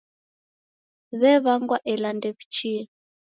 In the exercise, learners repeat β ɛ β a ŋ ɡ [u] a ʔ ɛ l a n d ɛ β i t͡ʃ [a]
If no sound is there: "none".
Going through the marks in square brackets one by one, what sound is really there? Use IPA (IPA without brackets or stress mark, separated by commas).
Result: w, i